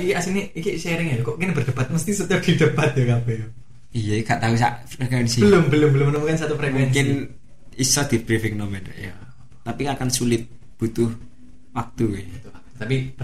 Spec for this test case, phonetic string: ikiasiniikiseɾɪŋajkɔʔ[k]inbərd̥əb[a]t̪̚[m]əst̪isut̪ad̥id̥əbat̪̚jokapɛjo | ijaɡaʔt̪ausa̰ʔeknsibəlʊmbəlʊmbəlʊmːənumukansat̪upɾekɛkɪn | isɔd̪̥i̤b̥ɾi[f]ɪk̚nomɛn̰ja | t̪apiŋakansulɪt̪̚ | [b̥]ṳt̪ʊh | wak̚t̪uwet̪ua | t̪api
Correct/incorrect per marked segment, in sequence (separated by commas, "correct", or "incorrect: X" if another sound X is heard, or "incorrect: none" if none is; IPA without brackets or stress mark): correct, correct, correct, correct, correct